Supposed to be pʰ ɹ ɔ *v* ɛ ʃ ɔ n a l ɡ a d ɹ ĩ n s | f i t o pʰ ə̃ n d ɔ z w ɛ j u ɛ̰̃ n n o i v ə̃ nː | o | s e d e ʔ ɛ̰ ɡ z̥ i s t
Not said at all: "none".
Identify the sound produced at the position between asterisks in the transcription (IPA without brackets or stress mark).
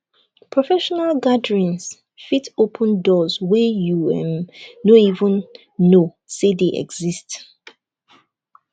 f